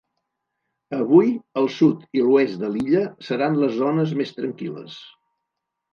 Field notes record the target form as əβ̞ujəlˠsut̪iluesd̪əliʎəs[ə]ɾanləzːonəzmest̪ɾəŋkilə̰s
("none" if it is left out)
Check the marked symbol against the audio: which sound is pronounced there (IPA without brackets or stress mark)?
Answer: ə